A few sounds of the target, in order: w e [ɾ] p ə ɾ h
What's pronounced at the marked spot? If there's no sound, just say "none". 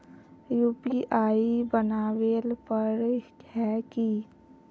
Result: l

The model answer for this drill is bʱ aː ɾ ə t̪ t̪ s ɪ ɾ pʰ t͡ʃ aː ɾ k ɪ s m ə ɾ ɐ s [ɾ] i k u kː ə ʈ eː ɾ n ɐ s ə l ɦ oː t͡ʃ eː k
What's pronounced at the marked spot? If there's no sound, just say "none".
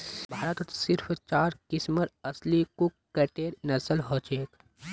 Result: l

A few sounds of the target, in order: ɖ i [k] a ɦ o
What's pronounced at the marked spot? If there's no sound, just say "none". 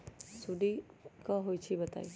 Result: k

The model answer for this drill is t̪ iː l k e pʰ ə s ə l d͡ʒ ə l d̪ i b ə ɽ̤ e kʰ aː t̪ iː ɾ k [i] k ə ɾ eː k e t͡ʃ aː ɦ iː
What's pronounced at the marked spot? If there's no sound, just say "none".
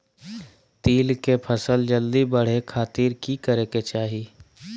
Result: i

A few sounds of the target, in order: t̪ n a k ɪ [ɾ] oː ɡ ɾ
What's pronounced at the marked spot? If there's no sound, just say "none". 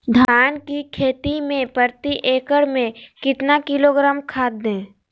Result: l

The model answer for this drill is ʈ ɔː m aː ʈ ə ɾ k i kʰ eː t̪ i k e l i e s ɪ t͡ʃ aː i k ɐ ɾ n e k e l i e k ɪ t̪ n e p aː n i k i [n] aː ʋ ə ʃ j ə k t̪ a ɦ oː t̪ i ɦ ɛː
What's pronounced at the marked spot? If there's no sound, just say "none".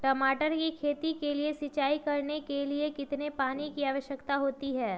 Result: none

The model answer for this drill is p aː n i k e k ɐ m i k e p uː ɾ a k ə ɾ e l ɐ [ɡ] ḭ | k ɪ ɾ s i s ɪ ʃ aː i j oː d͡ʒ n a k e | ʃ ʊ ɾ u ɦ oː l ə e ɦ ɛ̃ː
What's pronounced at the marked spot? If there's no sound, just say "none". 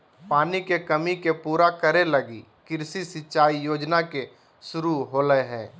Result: ɡ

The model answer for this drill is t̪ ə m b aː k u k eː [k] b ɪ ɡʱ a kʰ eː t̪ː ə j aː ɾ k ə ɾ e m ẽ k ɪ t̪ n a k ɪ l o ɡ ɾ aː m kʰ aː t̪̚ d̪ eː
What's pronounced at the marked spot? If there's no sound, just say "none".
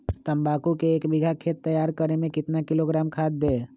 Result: k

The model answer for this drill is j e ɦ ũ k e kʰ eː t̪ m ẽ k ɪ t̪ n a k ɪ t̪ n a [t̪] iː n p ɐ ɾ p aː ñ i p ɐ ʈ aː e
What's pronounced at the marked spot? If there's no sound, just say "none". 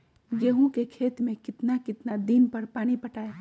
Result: d̪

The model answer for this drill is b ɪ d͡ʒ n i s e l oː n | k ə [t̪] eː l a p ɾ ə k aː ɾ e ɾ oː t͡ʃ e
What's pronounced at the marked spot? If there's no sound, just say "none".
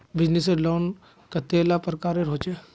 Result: t̪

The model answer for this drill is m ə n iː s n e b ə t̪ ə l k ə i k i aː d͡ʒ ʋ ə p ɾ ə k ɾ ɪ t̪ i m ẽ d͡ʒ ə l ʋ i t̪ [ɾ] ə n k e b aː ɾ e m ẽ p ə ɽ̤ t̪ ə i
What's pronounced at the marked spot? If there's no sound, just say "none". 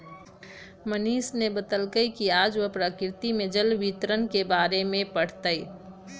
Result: ɾ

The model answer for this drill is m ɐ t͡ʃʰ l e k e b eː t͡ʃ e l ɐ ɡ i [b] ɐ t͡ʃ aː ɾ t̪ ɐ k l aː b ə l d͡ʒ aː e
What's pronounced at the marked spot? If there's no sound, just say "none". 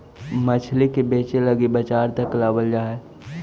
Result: b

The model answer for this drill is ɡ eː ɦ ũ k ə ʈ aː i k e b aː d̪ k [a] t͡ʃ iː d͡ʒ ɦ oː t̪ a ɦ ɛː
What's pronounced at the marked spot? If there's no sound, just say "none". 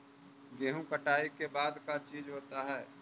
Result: a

